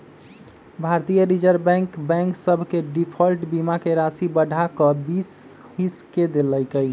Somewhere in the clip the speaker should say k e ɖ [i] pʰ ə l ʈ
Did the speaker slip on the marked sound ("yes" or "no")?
no